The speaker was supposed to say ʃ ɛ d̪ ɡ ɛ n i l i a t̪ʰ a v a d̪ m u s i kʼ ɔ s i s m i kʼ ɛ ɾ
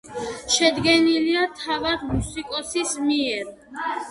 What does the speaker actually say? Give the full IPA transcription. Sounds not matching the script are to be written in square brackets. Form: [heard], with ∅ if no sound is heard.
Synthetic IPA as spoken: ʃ ɛ d̪ ɡ ɛ n i l i a t̪ʰ a v a d̪ m u s i kʼ ɔ s i s m i [∅] ɛ ɾ